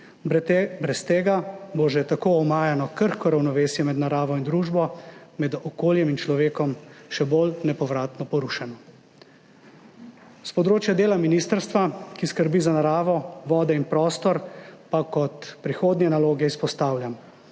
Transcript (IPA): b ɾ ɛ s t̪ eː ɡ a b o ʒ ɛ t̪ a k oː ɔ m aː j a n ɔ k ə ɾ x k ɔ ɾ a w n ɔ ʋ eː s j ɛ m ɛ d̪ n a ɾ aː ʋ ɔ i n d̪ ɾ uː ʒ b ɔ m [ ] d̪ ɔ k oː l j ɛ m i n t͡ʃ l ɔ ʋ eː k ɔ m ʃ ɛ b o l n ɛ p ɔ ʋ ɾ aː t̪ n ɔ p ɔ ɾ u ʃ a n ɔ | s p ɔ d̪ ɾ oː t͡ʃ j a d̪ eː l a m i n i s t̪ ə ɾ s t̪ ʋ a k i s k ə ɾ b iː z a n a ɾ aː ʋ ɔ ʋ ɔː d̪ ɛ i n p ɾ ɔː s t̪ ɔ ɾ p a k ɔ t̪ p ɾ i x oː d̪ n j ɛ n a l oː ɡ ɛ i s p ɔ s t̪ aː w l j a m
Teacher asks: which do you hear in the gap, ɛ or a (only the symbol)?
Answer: ɛ